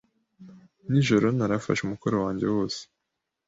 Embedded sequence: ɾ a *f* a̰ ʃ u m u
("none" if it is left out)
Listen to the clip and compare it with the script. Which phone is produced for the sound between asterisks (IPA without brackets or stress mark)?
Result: f